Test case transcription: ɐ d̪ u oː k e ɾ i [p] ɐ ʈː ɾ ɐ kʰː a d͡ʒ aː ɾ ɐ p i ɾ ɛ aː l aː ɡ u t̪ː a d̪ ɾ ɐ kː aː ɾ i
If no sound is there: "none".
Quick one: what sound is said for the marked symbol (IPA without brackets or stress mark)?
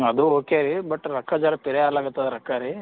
b